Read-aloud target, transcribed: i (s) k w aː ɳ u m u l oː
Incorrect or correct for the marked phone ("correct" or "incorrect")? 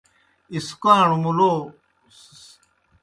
correct